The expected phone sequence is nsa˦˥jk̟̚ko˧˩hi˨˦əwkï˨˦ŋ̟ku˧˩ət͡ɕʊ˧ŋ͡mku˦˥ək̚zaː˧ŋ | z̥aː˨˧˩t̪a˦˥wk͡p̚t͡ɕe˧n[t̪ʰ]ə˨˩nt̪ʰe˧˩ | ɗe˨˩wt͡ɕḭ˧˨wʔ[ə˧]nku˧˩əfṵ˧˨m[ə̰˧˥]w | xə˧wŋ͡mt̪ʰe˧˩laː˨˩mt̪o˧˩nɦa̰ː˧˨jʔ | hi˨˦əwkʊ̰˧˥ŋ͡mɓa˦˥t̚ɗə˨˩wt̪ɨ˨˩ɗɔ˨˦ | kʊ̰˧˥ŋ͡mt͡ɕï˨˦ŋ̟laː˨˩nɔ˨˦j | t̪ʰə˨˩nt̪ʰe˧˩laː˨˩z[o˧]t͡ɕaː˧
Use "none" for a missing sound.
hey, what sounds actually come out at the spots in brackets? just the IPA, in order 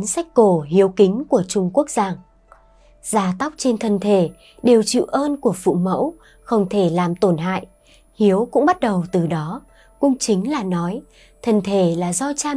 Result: t̪ʰ, əː˧, ə̰˧˥, ɔ˧

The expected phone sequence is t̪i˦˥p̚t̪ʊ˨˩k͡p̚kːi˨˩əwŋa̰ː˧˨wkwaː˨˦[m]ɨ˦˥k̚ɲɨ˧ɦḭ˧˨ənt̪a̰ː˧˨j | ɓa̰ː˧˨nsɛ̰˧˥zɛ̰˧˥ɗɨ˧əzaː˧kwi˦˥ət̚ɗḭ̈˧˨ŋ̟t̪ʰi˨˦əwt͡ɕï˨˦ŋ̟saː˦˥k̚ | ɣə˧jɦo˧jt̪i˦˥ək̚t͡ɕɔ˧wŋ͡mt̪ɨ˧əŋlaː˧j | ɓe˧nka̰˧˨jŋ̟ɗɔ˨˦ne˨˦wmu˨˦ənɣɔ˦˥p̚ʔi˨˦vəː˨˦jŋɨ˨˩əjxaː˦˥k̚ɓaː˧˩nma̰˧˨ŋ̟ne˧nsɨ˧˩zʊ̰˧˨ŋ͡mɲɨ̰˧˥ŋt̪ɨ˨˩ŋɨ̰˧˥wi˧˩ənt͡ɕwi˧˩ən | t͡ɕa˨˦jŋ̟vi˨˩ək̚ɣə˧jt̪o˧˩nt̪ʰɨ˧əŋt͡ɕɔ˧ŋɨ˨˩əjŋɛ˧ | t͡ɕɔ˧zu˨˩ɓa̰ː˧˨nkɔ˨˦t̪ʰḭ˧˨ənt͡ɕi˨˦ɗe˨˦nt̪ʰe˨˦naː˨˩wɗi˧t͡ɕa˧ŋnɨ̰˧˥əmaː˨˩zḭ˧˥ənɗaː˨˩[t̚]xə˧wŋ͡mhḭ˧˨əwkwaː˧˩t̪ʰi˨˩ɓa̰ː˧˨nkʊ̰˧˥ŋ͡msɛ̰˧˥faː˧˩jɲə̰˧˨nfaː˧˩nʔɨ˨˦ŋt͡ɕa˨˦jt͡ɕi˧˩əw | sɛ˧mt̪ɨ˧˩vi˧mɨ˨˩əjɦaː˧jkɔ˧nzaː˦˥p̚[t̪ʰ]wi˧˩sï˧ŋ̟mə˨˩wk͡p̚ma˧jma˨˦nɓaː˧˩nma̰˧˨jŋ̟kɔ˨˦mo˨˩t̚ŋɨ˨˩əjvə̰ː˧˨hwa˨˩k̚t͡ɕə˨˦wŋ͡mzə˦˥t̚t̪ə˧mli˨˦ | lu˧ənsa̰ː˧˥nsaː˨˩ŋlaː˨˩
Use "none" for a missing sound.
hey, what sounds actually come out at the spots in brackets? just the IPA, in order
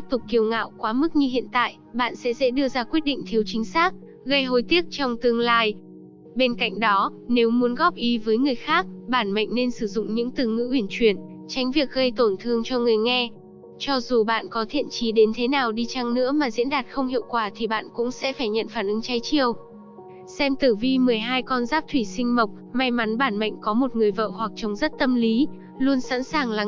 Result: m, t̚, t̪ʰ

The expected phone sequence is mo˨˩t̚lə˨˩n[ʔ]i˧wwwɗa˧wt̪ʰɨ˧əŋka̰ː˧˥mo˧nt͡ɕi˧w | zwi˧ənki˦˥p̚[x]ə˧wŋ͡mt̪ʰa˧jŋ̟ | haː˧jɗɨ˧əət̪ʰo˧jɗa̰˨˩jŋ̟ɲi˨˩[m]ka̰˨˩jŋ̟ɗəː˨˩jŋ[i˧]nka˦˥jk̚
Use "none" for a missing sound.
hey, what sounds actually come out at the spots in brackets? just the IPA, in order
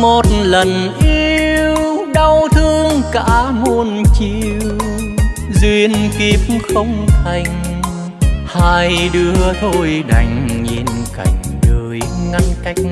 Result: ʔ, x, n, a˧

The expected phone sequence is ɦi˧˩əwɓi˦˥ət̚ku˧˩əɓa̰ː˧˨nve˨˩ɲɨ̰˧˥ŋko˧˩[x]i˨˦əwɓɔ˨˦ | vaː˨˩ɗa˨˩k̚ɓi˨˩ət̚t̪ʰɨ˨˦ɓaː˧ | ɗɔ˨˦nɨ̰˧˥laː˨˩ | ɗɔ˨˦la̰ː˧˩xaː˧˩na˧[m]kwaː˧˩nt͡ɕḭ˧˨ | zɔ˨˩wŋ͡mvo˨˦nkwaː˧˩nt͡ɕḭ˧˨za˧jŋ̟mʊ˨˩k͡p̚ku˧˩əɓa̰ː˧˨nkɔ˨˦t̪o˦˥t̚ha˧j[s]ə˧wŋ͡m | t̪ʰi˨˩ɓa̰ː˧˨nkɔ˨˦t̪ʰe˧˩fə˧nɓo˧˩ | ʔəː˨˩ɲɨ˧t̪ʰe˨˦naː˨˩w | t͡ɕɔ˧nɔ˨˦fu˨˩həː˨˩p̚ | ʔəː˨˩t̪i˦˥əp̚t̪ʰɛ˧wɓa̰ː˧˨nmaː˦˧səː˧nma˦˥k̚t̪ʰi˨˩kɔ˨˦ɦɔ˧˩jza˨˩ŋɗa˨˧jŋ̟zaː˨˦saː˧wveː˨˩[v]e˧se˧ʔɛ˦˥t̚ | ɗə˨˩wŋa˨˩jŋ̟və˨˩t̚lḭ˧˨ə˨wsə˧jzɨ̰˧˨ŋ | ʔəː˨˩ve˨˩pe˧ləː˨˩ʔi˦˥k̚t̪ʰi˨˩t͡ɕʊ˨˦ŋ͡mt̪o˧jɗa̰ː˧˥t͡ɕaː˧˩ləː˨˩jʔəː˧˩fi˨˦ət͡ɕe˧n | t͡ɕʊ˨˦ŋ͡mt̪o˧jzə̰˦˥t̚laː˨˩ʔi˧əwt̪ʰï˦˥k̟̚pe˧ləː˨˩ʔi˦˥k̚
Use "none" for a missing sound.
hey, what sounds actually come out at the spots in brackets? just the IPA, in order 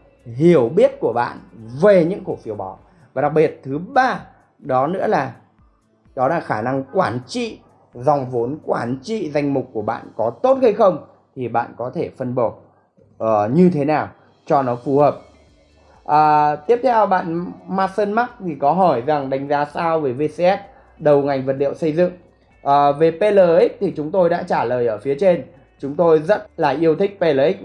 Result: f, ŋ, x, v

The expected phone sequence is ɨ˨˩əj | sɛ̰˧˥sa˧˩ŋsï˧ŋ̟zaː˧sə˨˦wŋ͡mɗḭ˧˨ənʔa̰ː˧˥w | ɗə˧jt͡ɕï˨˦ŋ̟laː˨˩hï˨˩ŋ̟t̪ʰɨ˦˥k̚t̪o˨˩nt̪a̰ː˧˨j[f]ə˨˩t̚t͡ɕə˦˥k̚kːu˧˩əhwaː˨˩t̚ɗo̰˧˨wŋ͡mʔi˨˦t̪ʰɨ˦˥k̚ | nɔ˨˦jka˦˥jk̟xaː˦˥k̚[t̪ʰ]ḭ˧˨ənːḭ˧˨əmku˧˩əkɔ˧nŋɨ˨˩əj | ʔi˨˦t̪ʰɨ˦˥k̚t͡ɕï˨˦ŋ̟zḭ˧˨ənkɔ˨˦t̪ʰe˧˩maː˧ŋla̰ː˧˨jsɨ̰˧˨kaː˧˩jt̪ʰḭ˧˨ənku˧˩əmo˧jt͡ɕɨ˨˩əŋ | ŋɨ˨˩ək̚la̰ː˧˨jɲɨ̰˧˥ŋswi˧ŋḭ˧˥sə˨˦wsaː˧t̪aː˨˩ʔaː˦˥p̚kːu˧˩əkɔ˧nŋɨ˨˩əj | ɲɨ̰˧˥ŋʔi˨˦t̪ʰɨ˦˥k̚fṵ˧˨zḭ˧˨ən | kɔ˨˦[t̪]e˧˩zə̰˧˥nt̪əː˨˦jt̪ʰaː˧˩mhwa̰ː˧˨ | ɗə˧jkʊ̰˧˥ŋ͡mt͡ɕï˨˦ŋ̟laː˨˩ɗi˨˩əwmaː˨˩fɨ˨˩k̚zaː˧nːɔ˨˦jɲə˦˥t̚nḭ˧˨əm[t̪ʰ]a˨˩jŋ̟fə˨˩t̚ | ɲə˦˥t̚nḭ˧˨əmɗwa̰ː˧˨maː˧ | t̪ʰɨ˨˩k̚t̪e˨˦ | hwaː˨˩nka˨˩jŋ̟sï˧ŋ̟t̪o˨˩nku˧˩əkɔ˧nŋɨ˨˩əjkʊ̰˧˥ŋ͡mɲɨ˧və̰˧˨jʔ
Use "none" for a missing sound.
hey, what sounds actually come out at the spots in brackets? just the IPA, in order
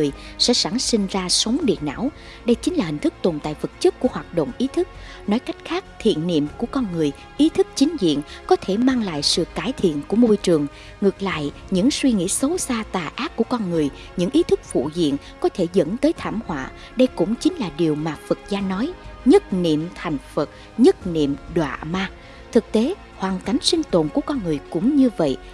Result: v, t̪ʰ, t̪ʰ, t̪ʰ

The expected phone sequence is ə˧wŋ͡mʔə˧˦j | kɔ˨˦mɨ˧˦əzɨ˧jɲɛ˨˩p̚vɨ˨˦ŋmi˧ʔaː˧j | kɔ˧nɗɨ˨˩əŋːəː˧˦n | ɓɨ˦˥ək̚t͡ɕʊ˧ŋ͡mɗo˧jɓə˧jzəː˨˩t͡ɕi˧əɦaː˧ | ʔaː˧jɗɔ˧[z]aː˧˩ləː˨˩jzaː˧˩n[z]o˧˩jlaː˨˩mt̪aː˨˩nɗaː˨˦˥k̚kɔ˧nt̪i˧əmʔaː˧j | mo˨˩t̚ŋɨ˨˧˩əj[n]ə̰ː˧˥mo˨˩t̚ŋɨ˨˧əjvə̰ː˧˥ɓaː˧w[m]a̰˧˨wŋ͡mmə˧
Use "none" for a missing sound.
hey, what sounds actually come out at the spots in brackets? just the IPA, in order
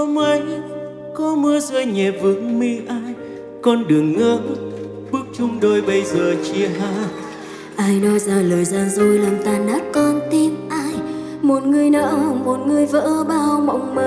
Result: z, z, n, m

